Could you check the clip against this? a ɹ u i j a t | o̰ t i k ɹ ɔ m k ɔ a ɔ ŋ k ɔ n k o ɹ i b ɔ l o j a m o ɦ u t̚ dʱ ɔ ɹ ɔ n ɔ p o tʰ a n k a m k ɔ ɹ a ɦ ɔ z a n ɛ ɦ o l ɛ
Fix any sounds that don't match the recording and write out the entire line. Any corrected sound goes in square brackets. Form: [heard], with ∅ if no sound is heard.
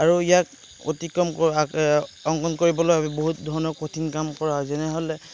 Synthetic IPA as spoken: a ɹ u i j a [k] | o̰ t i k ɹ ɔ m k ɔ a ɔ ŋ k ɔ n k o ɹ i b ɔ l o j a [b] o ɦ u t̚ dʱ ɔ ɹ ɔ n ɔ p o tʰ [i] n k a m k ɔ ɹ a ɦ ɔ z [ɛ] n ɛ ɦ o l ɛ

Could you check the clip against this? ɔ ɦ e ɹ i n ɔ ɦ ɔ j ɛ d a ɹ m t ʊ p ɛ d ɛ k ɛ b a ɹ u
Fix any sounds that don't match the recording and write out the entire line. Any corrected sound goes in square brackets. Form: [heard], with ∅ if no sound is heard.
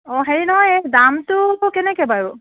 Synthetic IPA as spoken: ɔ ɦ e ɹ i n ɔ ɦ ɔ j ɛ d a [∅] m t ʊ [k] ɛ [n] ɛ k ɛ b a ɹ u

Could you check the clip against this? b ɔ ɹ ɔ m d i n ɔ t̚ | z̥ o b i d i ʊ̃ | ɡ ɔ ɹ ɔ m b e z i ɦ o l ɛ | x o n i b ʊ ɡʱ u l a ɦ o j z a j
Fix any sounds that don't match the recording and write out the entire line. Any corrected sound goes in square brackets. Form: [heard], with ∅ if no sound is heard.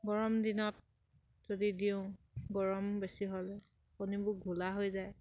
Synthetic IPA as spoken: [ɡ] ɔ ɹ ɔ m d i n ɔ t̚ | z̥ o [d] i d i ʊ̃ | ɡ ɔ ɹ ɔ m b e [s] i ɦ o l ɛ | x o n i b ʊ ɡʱ u l a ɦ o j z a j

